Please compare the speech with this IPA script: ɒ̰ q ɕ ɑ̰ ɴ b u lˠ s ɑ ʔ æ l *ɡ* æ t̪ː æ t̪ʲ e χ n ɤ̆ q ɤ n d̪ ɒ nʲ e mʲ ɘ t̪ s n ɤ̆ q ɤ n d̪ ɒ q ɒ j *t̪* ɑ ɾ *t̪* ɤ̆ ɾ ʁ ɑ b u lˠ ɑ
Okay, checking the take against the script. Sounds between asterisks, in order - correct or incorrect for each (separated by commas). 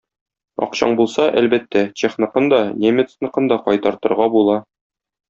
incorrect, correct, correct